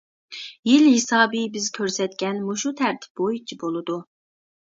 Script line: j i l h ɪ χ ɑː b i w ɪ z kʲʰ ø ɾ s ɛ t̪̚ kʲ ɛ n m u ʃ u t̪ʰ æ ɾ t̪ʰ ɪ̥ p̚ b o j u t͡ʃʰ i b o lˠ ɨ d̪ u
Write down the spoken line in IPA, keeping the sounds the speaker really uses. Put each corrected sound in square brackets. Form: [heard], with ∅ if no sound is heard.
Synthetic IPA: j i l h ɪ [s] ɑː b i [b] ɪ z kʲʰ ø ɾ s ɛ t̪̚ kʲ ɛ n m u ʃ u t̪ʰ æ ɾ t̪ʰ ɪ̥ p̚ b o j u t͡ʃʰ i b o lˠ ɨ d̪ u